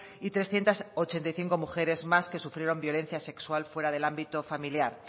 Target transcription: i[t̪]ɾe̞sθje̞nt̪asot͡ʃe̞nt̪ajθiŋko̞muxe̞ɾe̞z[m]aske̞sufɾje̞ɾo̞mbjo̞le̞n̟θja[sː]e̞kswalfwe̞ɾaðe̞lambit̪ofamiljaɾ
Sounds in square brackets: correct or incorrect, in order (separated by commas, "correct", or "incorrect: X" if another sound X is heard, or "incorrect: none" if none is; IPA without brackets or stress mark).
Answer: correct, correct, incorrect: s